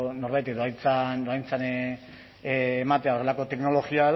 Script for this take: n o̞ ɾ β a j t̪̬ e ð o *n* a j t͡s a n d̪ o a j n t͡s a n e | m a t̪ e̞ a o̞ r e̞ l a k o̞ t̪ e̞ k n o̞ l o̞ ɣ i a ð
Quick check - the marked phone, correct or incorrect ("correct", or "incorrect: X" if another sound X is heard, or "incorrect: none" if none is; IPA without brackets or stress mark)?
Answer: incorrect: none